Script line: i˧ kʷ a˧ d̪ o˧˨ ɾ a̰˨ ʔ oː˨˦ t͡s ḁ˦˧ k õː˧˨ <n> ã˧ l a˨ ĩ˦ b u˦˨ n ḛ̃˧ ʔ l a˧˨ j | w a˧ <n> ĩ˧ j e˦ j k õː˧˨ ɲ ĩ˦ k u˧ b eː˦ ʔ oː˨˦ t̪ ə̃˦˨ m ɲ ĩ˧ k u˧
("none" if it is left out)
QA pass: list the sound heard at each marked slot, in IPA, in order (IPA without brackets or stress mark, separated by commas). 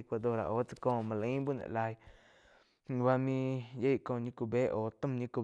m, m